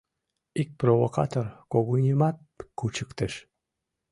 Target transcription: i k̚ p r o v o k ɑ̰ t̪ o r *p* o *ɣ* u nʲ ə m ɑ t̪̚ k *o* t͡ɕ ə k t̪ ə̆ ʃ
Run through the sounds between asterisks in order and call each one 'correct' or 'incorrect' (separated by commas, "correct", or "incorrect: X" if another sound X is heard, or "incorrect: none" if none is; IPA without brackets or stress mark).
incorrect: k, correct, incorrect: u